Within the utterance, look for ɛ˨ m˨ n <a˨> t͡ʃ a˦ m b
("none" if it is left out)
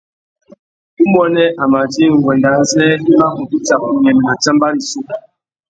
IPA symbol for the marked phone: a˨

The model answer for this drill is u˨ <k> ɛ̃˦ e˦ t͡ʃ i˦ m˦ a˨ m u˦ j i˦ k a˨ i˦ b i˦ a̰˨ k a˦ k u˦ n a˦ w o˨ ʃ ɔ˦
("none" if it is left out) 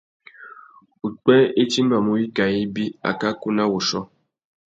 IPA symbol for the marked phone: k͡p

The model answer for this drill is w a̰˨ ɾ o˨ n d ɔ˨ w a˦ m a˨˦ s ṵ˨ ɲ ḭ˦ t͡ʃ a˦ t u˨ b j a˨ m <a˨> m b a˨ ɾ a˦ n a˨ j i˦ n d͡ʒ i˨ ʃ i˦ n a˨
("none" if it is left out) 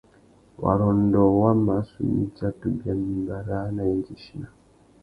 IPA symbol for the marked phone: i˨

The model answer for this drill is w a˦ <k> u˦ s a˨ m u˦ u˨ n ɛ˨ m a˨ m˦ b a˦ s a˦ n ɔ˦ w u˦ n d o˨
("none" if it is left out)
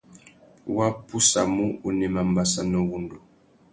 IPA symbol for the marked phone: p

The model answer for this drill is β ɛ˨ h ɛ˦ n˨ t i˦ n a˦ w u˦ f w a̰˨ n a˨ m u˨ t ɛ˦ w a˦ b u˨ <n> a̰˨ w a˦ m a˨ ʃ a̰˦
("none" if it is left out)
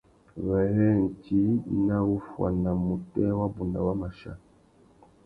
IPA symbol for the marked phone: n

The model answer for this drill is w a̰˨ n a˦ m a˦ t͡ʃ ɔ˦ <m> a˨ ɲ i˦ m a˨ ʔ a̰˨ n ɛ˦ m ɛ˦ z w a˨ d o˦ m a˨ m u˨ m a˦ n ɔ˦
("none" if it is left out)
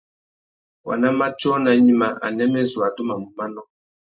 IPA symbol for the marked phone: n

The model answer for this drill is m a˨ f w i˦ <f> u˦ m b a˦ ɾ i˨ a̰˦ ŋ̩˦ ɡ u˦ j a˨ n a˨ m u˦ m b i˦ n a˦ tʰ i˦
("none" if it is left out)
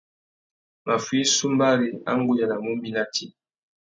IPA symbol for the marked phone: s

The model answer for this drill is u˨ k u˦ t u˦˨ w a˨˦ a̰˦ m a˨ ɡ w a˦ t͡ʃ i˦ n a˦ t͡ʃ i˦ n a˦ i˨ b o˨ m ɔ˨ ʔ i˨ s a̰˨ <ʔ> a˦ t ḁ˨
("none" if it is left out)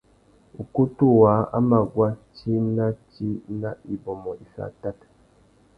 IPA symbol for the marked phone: t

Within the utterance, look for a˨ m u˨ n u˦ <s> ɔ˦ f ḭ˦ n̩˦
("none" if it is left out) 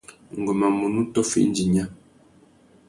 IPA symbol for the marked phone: t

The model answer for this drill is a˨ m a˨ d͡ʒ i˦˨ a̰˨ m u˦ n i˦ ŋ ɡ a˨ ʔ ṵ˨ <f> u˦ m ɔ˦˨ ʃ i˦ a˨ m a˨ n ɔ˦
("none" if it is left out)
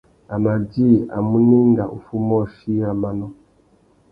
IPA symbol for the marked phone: f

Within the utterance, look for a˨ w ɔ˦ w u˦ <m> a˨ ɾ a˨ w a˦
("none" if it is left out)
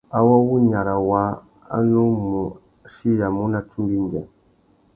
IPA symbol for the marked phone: ɲ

